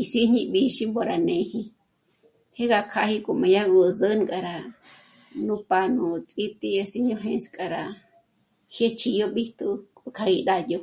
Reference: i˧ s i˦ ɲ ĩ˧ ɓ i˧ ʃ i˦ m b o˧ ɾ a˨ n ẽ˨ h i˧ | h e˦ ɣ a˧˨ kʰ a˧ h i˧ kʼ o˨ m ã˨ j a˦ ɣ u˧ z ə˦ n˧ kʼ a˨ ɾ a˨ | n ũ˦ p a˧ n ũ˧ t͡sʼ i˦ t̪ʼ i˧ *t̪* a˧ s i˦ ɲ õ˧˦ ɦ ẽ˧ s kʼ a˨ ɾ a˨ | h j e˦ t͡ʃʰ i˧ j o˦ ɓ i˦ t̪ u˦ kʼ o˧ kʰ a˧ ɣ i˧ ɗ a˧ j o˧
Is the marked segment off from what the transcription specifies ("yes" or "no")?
yes